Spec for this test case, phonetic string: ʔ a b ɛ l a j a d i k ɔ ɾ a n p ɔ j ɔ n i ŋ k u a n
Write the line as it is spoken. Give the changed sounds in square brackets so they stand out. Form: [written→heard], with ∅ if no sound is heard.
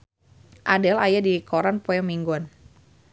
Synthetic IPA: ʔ a [b→d] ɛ l a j a d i k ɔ ɾ a n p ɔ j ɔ [n→m] i ŋ [k→ɡ] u a n